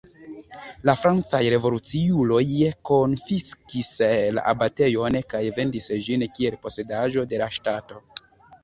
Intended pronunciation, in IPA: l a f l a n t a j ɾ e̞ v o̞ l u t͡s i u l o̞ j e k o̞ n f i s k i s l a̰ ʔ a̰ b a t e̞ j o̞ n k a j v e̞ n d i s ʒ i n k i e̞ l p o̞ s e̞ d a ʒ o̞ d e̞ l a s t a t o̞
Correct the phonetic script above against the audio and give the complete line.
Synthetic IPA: l a f ɾ a n t͡s a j ɾ e̞ v o̞ l u t͡s i u l o̞ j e k o̞ n f i s k i s l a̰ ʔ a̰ b a t e̞ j o̞ n k a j v e̞ n d i s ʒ i n k i e̞ l p o̞ s e̞ d a ʒ o̞ d e̞ l a ʃ t a t o̞